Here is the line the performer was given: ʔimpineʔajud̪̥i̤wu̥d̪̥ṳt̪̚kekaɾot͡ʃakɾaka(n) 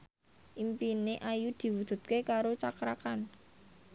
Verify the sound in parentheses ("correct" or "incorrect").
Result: correct